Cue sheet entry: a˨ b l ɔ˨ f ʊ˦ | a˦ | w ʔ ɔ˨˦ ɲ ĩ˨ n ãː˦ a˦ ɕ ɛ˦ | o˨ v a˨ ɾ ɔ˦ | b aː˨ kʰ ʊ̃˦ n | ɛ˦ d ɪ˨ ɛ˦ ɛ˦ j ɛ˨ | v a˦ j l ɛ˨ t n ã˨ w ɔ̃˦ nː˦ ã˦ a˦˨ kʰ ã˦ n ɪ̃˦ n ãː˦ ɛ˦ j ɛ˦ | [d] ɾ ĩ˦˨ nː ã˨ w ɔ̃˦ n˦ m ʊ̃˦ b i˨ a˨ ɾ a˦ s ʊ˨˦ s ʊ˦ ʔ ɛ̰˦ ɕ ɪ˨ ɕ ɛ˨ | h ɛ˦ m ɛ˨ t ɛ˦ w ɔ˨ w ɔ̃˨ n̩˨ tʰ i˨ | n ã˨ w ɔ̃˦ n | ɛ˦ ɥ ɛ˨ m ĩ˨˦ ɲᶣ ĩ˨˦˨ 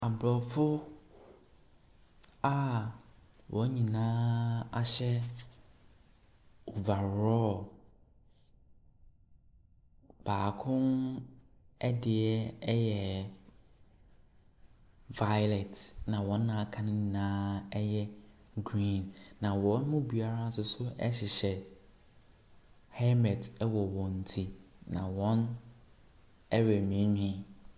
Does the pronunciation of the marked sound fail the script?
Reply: yes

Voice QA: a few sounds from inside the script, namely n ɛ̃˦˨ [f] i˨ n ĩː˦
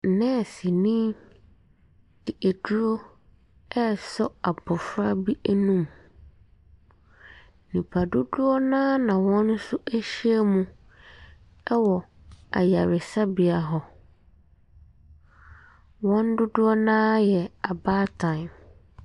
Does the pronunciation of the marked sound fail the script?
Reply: yes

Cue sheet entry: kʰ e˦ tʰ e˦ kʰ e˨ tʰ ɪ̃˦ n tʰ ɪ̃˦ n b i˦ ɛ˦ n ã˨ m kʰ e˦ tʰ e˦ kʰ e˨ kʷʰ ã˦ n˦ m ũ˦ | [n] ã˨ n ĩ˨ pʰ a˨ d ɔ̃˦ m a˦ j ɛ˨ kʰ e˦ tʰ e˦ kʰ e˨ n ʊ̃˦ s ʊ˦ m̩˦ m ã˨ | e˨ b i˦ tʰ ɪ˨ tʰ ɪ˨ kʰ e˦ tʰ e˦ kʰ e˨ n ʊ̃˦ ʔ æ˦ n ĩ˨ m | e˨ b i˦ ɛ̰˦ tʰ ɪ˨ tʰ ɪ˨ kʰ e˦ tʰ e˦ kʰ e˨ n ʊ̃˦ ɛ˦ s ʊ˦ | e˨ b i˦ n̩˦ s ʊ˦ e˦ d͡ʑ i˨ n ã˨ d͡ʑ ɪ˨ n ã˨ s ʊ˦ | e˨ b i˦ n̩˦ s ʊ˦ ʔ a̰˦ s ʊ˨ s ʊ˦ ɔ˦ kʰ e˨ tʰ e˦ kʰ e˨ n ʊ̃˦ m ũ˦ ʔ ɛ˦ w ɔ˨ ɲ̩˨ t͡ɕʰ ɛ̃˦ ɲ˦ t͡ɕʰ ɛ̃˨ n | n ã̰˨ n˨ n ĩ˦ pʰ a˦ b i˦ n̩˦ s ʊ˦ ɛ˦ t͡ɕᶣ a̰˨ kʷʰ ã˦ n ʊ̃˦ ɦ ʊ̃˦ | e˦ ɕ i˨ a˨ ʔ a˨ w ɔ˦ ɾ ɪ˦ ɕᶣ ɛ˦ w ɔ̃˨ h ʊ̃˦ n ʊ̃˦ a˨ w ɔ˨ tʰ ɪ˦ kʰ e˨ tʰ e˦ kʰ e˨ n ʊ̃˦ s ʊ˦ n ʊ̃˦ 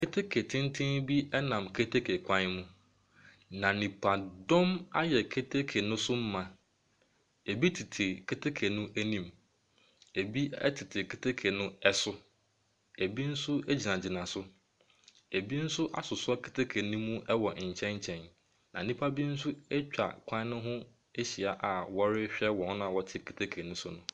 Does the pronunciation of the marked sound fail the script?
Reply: no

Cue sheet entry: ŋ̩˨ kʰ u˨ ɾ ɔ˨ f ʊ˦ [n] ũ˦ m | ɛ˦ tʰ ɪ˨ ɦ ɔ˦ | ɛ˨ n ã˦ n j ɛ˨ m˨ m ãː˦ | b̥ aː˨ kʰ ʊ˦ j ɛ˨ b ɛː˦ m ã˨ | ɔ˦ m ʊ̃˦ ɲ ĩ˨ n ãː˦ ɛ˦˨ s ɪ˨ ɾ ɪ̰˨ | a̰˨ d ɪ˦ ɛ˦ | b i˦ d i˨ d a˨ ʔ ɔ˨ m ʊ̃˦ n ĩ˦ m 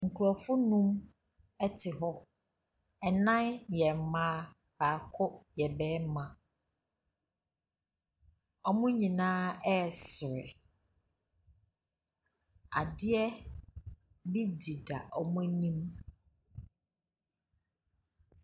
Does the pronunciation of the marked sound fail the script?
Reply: no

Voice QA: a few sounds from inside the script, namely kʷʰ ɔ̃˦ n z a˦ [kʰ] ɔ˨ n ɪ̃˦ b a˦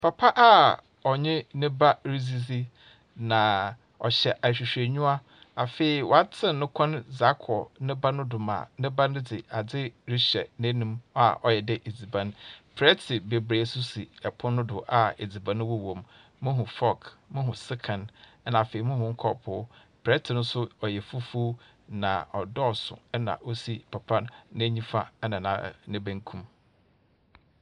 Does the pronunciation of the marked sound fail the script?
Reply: no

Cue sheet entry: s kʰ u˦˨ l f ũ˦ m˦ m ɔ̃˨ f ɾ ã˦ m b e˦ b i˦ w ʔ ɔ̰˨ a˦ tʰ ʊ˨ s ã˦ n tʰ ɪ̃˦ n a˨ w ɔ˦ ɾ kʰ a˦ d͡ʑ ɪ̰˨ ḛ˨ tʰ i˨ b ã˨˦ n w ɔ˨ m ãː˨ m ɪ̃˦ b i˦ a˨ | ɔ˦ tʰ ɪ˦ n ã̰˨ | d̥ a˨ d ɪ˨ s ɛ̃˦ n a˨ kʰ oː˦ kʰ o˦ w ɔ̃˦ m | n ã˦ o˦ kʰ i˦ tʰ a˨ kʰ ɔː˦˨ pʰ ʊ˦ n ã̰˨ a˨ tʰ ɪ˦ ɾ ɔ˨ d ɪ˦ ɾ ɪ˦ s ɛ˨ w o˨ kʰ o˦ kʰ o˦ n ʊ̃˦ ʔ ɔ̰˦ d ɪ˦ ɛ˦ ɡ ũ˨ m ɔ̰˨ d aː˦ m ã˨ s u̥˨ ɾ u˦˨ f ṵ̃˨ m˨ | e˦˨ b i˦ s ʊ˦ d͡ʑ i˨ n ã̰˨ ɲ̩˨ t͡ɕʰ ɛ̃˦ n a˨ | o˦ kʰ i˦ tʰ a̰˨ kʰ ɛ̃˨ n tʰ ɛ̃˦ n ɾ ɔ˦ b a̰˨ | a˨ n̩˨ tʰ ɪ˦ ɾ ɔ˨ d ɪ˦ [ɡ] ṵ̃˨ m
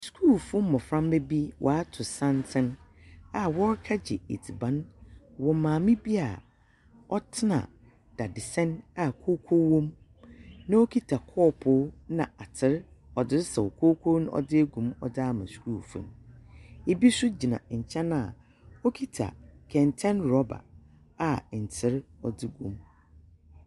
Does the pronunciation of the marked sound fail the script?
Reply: no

